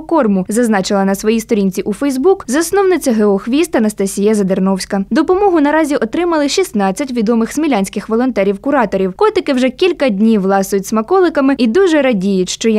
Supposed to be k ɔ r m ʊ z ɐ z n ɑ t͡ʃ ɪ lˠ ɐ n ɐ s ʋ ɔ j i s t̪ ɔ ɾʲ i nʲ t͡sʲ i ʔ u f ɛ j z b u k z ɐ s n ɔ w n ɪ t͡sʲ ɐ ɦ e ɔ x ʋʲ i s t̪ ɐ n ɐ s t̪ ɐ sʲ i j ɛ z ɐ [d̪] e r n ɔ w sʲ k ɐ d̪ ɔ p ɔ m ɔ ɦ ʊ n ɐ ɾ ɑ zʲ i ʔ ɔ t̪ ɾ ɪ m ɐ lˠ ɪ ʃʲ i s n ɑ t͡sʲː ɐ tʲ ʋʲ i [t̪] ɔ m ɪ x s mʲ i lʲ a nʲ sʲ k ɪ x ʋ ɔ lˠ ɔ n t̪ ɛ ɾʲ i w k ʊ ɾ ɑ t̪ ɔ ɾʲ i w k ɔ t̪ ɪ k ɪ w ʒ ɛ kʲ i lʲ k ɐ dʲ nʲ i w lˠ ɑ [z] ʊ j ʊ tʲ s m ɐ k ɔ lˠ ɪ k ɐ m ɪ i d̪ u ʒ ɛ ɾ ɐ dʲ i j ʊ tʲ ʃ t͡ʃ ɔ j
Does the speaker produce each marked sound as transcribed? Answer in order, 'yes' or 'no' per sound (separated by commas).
yes, no, no